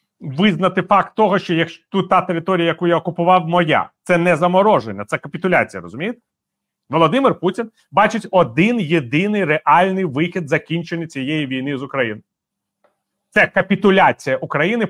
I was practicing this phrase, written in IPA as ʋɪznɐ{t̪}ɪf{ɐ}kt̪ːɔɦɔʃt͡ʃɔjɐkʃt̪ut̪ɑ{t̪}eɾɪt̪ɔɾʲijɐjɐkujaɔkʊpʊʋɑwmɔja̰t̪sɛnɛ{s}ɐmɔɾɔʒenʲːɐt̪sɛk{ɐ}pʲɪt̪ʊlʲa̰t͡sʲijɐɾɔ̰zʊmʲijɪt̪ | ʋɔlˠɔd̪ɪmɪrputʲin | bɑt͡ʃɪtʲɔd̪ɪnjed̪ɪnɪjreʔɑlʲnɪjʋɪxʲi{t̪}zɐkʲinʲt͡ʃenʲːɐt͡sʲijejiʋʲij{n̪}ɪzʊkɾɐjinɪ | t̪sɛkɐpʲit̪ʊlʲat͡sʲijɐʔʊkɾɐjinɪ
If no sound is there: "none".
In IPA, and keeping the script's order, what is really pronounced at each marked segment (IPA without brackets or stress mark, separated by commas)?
t̪, ɑ, t̪, z, ɐ, d̪, n̪